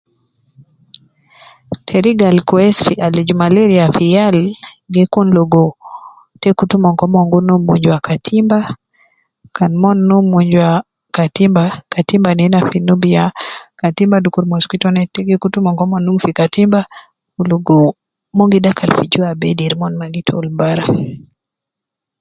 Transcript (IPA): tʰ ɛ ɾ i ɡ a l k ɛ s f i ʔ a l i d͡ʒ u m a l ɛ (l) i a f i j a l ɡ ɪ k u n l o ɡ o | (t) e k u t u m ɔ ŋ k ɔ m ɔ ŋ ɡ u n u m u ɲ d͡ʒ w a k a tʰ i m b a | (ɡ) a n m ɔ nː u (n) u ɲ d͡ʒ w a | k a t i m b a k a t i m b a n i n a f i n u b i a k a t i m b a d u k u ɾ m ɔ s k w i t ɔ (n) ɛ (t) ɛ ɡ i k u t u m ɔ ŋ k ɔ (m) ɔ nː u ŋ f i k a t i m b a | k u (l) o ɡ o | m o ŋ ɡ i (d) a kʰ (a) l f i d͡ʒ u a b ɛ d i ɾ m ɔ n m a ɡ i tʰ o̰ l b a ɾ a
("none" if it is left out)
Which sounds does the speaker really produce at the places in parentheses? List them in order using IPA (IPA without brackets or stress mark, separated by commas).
ɾ, t, k, m, n, t, m, l, d, a